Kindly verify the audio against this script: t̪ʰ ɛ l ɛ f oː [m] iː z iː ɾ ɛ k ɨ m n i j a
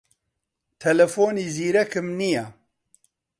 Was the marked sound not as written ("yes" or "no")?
yes